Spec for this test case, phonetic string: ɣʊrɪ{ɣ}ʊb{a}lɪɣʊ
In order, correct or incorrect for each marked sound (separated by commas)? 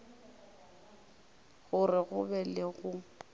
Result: correct, incorrect